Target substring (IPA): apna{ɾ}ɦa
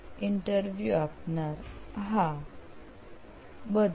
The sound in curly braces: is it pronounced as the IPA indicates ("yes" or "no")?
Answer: yes